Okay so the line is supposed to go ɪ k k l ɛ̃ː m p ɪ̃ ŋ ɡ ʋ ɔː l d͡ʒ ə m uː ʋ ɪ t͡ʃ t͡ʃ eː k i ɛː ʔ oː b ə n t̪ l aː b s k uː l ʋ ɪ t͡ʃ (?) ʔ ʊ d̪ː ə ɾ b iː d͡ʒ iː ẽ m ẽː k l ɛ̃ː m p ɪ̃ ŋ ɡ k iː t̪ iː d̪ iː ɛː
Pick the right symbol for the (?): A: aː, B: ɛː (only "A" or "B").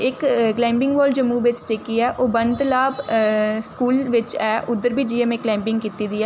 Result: B